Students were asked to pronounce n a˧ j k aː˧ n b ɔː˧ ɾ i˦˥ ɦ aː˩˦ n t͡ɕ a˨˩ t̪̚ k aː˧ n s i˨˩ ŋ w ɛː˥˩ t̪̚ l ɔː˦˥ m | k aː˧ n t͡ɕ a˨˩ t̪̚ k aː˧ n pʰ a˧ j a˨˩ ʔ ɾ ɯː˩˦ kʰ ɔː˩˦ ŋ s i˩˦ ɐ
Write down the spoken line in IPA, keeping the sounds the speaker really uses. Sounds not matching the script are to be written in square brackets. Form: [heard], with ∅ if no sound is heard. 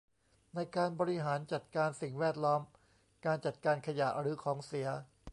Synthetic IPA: n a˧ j k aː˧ n b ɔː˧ ɾ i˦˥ ɦ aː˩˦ n t͡ɕ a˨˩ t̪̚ k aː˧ n s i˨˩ ŋ w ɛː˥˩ t̪̚ l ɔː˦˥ m | k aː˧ n t͡ɕ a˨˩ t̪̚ k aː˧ n [kʰ] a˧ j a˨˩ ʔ ɾ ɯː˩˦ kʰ ɔː˩˦ ŋ s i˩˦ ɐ